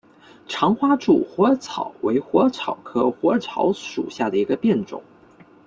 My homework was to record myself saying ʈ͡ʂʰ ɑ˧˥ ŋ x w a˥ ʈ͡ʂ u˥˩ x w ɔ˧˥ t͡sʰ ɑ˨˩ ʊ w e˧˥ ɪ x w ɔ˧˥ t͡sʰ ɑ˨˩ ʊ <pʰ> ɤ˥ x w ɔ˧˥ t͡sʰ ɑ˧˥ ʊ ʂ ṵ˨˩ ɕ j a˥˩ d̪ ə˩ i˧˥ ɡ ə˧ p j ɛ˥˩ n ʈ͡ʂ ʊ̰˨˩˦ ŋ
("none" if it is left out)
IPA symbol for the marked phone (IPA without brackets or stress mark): kʰ